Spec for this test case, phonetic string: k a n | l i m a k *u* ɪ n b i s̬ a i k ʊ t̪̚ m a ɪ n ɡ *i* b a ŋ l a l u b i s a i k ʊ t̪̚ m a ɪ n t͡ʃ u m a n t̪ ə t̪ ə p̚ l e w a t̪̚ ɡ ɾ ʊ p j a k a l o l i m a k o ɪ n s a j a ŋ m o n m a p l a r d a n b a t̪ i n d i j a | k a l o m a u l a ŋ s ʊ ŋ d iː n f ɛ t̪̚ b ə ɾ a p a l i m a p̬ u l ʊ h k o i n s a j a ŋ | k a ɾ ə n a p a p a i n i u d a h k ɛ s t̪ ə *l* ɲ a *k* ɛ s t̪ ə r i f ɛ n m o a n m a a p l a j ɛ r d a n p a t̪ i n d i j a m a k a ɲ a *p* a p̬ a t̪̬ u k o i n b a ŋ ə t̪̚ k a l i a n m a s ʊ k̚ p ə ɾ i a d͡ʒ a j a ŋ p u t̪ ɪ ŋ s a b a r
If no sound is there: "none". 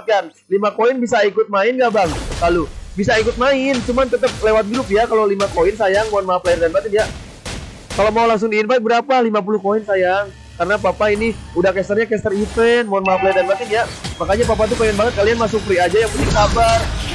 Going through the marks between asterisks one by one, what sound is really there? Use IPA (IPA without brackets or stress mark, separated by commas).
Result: o, a, r, k, p